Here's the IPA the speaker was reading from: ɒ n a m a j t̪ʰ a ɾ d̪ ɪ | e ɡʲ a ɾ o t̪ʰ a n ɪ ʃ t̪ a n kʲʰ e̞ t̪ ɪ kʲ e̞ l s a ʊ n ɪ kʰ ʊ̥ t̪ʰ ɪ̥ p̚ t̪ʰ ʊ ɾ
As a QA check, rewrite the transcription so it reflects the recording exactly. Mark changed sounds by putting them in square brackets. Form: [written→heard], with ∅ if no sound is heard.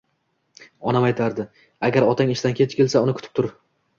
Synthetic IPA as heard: ɒ n a m a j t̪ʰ a ɾ d̪ ɪ | [e→a] ɡʲ a ɾ [o→ɒ] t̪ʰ a [n→ŋ] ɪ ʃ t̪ a n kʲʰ e̞ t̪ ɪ kʲ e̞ l s a ʊ n ɪ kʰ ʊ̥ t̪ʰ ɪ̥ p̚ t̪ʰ ʊ ɾ

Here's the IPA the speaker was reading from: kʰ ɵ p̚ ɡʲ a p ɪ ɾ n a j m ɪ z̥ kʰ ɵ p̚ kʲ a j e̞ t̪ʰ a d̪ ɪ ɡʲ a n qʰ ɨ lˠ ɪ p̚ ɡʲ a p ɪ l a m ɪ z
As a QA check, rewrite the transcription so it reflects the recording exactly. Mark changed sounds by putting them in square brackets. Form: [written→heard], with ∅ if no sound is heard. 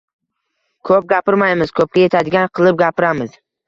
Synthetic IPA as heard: kʰ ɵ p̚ ɡʲ a p ɪ ɾ [n→m] a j m ɪ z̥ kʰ ɵ p̚ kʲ a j e̞ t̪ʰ a d̪ ɪ ɡʲ a n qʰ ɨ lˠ ɪ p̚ ɡʲ a p ɪ [l→ɾ] a m ɪ z

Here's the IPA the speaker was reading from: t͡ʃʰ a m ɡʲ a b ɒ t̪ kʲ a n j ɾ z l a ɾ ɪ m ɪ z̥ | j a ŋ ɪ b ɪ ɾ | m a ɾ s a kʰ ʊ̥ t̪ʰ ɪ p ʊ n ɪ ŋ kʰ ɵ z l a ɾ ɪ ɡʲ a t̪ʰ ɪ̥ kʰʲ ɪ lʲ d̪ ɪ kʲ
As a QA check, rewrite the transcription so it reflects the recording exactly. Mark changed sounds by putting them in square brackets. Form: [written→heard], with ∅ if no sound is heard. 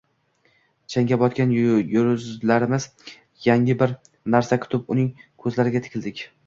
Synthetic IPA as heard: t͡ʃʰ a [m→ŋ] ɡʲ a b ɒ t̪ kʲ a n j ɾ z l a ɾ ɪ m ɪ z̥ | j a ŋ ɪ b ɪ ɾ | [m→n] a ɾ s a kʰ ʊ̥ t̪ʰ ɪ p ʊ n ɪ ŋ kʰ ɵ z l a ɾ ɪ ɡʲ a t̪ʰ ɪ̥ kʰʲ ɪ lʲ d̪ ɪ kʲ

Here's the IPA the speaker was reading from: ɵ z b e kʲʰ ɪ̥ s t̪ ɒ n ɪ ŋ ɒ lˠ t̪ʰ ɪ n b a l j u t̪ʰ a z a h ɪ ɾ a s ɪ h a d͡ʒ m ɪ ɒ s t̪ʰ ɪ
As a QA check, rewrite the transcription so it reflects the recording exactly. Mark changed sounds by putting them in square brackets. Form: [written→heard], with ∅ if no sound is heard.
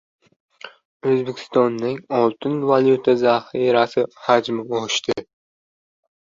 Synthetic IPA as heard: ɵ z b e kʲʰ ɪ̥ s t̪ ɒ [n→nː] ɪ ŋ ɒ lˠ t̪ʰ ɪ n [b→v] a l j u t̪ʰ a z a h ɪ ɾ a s ɪ h a d͡ʒ m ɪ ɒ [s→ʃ] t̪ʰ ɪ

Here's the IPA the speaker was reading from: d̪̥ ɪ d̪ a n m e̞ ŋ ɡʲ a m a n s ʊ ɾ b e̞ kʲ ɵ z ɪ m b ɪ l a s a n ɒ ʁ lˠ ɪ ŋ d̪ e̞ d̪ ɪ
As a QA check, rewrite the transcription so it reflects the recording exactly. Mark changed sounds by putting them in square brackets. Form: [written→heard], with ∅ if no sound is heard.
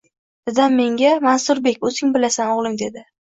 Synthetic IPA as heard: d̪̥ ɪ d̪ a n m e̞ ŋ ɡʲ a m a n s ʊ ɾ b e̞ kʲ ɵ z ɪ [m→ŋ] b ɪ l a s a n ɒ ʁ lˠ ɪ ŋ d̪ e̞ d̪ ɪ

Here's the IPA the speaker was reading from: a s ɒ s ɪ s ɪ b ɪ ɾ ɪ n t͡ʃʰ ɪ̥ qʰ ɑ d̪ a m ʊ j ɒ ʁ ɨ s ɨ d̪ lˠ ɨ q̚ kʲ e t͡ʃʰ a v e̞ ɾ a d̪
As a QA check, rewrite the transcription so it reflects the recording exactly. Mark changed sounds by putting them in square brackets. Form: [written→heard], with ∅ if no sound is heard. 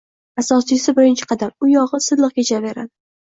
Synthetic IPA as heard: a s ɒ s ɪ s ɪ b ɪ ɾ ɪ n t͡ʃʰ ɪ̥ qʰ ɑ d̪ a m ʊ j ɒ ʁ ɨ s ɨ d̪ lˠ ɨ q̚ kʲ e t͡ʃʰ a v e̞ ɾ a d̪

